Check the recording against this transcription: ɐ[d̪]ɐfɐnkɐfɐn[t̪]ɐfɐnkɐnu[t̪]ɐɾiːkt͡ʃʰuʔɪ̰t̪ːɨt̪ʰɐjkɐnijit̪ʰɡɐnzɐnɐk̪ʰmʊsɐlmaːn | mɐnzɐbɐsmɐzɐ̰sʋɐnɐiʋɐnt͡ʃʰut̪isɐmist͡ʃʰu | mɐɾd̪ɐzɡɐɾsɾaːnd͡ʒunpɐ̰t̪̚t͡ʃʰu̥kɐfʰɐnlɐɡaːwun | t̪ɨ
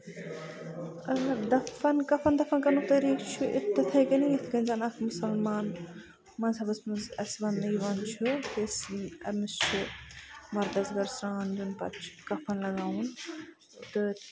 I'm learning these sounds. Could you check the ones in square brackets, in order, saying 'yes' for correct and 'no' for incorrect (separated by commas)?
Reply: yes, no, yes